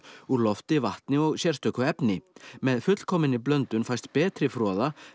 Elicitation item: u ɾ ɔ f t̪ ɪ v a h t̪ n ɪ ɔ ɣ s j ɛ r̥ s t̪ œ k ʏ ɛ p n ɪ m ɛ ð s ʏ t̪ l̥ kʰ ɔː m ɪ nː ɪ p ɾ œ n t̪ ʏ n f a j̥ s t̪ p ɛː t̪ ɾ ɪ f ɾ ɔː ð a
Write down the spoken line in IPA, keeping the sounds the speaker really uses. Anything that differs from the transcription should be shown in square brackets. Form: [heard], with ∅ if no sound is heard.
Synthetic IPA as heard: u [l] ɔ f t̪ ɪ v a h t̪ n ɪ ɔ ɣ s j ɛ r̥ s t̪ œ k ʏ ɛ p n ɪ m ɛ ð [f] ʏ t̪ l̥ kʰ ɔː m ɪ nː ɪ p [l] œ n t̪ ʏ n f a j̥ s t̪ p ɛː t̪ ɾ ɪ f ɾ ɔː ð a